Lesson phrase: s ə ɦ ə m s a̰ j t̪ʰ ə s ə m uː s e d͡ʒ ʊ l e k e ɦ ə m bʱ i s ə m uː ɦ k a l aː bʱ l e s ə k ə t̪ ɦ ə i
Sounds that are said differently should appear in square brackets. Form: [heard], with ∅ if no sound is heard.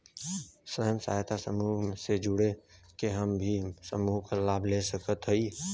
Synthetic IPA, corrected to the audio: s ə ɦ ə m s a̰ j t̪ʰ [a] s ə m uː s e d͡ʒ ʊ [ɽ] e k e ɦ ə m bʱ i s ə m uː ɦ k a l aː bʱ l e s ə k ə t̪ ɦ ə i